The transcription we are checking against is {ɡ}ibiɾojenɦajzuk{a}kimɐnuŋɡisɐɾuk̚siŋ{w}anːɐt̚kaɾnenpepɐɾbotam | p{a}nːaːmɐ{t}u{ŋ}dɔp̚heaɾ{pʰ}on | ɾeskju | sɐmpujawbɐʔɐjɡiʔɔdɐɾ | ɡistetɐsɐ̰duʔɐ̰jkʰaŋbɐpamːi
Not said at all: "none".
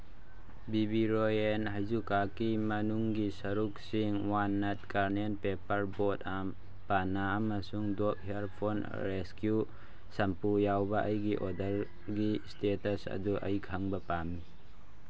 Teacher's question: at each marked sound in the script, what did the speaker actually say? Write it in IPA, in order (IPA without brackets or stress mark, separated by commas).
b, a, w, a, s, ŋ, pʰ